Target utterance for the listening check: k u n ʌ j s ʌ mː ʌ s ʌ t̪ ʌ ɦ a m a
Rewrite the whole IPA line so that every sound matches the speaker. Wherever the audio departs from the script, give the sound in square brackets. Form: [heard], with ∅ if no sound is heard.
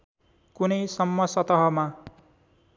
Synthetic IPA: k u n ʌ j s ʌ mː ʌ s ʌ t̪ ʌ ɦ [ʌ] m a